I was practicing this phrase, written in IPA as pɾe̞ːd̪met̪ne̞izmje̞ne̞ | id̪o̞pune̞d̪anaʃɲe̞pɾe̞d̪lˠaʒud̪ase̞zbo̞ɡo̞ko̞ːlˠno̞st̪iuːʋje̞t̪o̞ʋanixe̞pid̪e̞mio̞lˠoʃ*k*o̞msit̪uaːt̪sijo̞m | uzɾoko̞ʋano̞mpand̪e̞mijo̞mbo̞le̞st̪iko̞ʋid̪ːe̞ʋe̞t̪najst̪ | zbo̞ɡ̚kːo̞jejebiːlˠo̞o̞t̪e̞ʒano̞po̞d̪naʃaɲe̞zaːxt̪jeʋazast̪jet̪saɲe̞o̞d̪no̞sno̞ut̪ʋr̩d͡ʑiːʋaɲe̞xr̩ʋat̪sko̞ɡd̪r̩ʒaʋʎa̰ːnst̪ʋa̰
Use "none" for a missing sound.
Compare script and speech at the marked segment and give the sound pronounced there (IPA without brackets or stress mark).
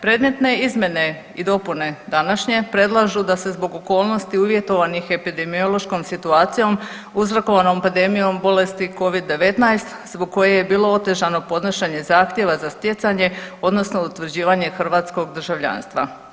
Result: k